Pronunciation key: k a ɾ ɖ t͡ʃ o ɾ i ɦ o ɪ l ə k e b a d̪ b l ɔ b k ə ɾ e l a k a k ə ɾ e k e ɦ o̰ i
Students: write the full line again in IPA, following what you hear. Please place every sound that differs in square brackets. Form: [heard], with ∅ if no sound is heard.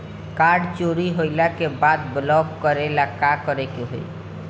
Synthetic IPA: k a ɾ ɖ t͡ʃ o ɾ i ɦ o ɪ l [a] k e b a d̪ b l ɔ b k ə ɾ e l a k a k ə ɾ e k e ɦ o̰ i